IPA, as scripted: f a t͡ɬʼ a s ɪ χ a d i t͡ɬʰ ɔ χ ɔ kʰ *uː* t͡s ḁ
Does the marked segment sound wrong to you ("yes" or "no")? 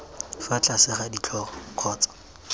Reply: yes